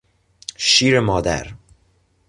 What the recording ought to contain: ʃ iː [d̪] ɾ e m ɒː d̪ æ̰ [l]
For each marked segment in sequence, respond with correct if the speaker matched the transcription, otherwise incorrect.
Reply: incorrect, incorrect

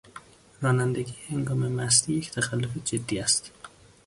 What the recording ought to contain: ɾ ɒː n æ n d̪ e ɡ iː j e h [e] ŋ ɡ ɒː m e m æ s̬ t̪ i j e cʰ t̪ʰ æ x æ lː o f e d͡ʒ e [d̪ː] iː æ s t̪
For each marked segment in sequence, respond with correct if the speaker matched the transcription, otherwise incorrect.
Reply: correct, correct

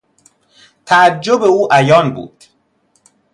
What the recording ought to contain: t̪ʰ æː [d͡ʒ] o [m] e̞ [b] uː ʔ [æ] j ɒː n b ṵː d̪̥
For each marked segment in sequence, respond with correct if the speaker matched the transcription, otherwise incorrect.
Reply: incorrect, incorrect, incorrect, correct

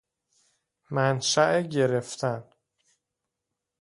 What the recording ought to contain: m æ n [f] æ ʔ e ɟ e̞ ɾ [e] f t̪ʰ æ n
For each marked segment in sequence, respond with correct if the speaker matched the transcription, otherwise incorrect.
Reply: incorrect, correct

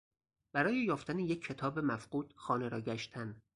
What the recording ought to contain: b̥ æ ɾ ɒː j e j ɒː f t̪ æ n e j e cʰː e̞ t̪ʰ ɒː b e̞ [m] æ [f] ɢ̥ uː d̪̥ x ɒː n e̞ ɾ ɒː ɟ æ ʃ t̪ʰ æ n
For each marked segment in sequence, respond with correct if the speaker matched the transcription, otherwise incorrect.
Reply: correct, correct

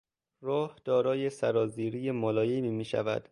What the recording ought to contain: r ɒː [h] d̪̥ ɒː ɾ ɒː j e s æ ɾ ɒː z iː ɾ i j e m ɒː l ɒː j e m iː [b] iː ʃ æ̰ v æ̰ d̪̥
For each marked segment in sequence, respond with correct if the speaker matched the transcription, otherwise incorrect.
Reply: correct, incorrect

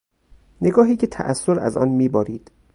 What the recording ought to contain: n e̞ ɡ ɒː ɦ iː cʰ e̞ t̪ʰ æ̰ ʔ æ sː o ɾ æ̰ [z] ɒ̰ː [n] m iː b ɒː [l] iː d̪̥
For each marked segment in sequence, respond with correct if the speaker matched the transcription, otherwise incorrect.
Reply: correct, correct, incorrect

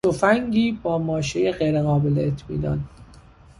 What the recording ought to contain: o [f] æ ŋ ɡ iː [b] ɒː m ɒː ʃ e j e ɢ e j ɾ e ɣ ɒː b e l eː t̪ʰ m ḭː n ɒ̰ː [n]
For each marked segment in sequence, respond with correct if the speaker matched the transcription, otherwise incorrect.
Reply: correct, correct, correct

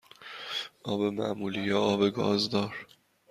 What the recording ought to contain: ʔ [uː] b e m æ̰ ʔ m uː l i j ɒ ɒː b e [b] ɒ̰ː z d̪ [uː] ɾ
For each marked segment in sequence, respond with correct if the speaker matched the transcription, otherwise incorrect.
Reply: incorrect, incorrect, incorrect

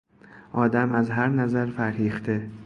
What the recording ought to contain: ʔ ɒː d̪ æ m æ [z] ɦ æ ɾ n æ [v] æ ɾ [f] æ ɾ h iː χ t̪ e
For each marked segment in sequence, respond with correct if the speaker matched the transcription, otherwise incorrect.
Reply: correct, incorrect, correct

